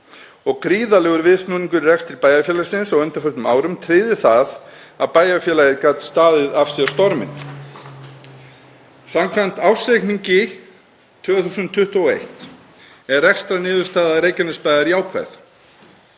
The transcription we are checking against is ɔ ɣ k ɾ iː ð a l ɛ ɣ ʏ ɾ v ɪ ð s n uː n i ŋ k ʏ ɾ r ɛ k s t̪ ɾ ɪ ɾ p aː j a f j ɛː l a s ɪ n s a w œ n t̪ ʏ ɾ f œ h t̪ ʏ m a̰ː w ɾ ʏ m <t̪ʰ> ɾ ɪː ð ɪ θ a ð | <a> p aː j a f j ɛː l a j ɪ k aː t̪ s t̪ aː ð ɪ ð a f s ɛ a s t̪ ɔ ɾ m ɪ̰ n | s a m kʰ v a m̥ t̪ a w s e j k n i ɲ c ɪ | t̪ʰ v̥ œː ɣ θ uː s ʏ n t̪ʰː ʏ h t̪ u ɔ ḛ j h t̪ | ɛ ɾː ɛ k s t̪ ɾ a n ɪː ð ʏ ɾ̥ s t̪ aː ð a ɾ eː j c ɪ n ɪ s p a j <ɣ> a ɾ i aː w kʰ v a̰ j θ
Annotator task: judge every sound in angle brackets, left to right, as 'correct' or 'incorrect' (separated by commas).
correct, correct, incorrect